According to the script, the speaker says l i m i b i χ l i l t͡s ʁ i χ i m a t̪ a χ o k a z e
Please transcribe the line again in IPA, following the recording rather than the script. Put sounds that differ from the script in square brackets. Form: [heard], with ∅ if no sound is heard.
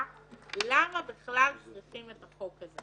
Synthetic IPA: l [a] m [a] b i χ l [a] l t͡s ʁ i χ i m [e] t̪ a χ o k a z e